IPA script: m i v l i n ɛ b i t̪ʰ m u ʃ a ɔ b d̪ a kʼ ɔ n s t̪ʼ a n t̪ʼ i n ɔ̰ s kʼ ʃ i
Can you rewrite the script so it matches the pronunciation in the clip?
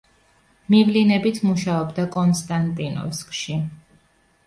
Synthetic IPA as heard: m i v l i n ɛ b i t̪ʰ m u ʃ a ɔ b d̪ a kʼ ɔ n s t̪ʼ a n t̪ʼ i n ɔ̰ s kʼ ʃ i